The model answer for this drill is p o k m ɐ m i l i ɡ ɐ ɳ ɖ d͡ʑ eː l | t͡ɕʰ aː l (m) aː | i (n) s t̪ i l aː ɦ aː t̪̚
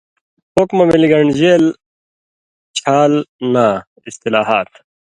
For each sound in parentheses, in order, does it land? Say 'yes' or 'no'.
no, no

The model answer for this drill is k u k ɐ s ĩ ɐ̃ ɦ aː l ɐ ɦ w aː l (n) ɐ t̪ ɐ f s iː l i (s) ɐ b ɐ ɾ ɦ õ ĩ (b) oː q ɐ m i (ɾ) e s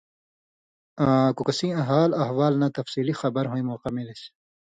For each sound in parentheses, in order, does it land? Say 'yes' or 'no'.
yes, no, no, no

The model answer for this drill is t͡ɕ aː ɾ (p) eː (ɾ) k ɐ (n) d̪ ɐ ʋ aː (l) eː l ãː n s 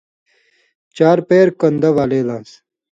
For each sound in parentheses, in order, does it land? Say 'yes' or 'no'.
yes, yes, yes, yes

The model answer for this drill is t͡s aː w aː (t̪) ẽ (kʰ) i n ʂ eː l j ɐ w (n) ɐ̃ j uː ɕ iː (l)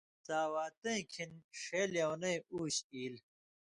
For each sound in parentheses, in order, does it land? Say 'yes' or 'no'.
yes, yes, yes, yes

